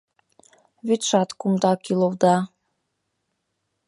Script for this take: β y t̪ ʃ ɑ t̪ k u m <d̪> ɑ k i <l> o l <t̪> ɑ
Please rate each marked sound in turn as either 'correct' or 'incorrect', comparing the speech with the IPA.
correct, correct, incorrect

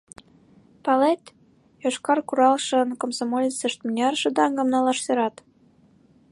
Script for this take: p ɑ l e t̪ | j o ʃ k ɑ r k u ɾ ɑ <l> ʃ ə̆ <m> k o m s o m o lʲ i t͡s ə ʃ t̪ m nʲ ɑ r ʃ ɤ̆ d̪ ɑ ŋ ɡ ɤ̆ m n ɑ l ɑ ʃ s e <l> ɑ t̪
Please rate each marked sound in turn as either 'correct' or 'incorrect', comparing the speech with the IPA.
correct, incorrect, incorrect

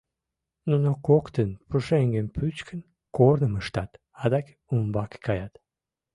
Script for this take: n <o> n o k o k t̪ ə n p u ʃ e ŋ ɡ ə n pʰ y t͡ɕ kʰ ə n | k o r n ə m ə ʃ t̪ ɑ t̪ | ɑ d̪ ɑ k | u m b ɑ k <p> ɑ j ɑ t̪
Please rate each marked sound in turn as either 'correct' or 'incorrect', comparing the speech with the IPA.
incorrect, incorrect

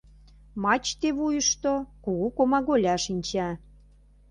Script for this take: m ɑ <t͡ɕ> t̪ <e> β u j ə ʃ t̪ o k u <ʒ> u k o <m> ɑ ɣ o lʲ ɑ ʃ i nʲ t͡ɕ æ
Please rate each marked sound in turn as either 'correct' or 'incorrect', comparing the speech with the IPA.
correct, correct, incorrect, correct

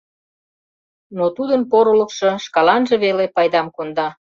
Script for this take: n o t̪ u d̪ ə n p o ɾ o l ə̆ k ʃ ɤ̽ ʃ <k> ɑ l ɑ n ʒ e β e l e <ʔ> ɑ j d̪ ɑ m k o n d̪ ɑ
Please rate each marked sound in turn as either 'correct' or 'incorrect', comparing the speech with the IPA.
correct, incorrect

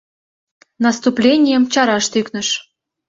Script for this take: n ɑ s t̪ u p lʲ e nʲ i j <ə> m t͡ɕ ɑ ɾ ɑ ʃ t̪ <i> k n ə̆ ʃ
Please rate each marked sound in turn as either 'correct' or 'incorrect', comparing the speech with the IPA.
correct, incorrect

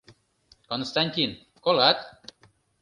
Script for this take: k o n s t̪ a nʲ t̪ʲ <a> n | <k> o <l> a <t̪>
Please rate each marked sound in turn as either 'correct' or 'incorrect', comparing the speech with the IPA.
incorrect, correct, correct, correct

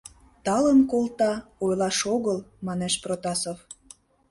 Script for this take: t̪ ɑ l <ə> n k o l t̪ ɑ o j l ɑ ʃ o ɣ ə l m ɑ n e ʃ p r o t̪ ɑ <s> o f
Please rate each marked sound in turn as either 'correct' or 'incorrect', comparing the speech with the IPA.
correct, correct

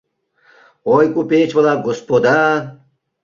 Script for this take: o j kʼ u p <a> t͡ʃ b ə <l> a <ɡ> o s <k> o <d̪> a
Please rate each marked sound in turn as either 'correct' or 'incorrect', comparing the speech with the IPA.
incorrect, correct, correct, incorrect, correct

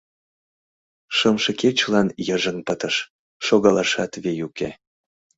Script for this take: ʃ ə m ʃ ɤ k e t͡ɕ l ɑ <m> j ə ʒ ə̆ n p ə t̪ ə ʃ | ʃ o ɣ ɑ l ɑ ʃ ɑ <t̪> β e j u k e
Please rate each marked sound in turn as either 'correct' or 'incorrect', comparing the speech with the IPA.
incorrect, correct

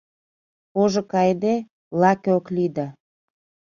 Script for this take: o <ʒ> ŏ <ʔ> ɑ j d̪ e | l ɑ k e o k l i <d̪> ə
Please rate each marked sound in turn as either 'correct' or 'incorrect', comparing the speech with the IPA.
correct, incorrect, correct

